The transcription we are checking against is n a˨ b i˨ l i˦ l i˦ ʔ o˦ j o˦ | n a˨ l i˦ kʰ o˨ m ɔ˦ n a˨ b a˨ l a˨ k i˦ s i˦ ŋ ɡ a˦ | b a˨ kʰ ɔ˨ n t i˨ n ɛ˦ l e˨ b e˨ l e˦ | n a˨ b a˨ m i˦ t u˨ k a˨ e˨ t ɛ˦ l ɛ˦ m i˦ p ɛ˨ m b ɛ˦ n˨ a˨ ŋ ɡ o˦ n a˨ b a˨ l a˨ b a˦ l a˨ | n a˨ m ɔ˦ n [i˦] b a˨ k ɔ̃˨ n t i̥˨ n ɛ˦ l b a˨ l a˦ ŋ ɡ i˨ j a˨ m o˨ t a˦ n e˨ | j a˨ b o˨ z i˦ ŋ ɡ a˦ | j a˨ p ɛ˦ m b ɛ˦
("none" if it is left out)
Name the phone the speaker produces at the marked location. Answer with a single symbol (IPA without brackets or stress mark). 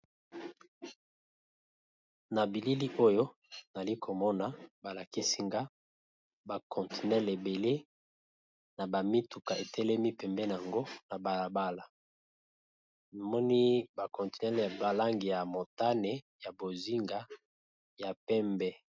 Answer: i˦